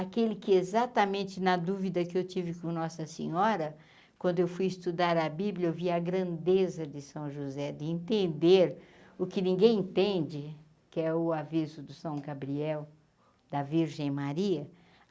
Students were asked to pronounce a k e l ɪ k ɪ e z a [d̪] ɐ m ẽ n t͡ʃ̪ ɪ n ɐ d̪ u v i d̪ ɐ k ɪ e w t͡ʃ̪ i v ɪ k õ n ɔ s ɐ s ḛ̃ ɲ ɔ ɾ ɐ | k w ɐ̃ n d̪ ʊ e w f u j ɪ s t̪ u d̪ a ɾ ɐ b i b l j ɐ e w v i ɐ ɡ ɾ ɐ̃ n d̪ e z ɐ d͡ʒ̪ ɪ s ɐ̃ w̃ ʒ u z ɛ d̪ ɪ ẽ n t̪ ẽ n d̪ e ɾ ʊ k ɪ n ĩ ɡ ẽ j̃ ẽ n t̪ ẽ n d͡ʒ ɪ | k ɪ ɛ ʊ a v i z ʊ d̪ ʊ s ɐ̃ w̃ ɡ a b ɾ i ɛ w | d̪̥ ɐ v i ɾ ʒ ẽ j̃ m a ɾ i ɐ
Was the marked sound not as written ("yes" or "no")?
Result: yes